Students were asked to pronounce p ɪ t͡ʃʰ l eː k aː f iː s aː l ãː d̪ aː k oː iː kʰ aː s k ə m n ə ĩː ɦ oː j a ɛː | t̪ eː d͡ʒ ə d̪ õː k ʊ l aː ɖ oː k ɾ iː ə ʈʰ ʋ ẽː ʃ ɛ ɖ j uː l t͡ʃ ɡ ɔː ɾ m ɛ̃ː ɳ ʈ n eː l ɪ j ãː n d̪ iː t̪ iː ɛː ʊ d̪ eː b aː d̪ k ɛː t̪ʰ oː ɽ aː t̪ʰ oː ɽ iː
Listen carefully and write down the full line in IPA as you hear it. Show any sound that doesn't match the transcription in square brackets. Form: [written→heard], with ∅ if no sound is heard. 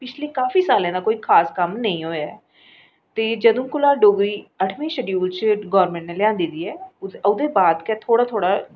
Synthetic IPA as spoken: p ɪ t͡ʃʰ l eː k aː f iː s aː l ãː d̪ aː k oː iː kʰ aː s k ə m n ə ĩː ɦ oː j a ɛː | t̪ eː d͡ʒ ə d̪ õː k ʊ l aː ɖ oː [k→ɡ] ɾ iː ə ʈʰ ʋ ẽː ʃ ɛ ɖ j uː l t͡ʃ ɡ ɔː ɾ m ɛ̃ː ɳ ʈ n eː l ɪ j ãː n d̪ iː [t̪→d̪] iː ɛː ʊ d̪ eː b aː d̪ k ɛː t̪ʰ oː ɽ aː t̪ʰ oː ɽ [iː→aː]

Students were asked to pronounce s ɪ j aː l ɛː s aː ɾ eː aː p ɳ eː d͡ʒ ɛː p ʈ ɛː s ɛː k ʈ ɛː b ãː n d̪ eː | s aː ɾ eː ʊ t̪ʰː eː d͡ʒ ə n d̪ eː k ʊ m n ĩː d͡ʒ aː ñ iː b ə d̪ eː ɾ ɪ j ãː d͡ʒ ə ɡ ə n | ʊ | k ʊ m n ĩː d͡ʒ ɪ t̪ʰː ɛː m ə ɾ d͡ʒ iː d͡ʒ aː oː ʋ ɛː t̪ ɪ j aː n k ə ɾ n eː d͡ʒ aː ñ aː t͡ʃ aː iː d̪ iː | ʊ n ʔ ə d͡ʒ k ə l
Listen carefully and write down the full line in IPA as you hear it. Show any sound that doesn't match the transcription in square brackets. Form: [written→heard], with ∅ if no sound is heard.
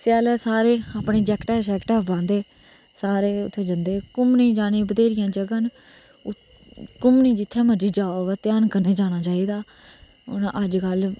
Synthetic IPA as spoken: s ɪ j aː l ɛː s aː ɾ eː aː p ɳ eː d͡ʒ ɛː [p→k] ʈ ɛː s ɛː k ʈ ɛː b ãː n d̪ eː | s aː ɾ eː ʊ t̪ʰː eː d͡ʒ ə n d̪ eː k ʊ m n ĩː d͡ʒ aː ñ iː b ə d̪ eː ɾ ɪ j ãː d͡ʒ ə ɡ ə n | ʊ | k ʊ m n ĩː d͡ʒ ɪ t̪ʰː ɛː m ə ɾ d͡ʒ iː d͡ʒ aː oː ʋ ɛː t̪ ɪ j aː n k ə ɾ n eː d͡ʒ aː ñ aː t͡ʃ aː iː d̪ [iː→aː] | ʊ n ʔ ə d͡ʒ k ə l

